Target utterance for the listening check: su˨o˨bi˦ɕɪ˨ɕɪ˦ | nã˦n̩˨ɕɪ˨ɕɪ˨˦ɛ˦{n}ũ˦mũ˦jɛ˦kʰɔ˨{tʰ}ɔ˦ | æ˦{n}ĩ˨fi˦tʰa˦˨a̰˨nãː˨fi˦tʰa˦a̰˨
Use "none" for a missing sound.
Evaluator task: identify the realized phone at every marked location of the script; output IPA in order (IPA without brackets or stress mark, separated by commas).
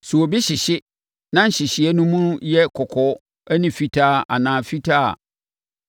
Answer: n, kʰ, n